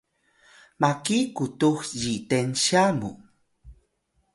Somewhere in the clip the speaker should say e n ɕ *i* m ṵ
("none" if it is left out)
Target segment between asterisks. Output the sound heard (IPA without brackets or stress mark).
a